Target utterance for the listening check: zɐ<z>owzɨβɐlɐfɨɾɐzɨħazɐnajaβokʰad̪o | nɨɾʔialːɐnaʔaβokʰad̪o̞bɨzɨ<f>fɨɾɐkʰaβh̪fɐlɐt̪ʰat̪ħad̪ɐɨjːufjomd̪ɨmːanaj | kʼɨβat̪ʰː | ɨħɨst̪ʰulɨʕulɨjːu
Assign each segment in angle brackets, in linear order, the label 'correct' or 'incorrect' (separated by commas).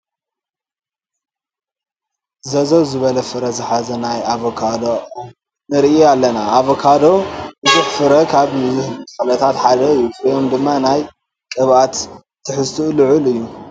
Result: correct, incorrect